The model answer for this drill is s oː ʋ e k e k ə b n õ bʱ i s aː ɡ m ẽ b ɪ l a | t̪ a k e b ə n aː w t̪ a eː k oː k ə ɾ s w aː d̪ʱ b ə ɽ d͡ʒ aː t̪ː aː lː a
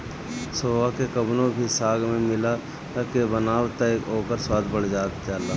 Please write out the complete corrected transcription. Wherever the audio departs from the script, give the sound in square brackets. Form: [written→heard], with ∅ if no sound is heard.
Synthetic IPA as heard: s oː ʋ [e→a] k e k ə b n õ bʱ i s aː ɡ m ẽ [b→m] ɪ l a | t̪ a k e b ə n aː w t̪ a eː k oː k ə ɾ s w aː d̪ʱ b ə ɽ d͡ʒ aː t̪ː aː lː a